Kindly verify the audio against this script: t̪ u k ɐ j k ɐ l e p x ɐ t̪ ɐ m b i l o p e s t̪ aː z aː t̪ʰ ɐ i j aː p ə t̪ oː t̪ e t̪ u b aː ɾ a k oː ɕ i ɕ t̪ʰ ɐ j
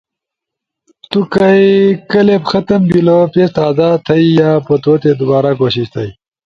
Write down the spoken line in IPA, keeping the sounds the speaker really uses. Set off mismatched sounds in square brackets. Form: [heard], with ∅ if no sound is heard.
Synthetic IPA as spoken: t̪ u k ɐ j k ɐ l e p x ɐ t̪ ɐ m b i l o p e s t̪ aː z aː t̪ʰ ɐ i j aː p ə t̪ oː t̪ e [d̪] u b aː ɾ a k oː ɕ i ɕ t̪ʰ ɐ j